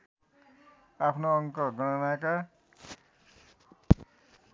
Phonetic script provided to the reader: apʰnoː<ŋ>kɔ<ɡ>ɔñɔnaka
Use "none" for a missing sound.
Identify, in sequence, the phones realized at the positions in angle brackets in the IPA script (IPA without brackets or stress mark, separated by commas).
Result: ŋ, ɡ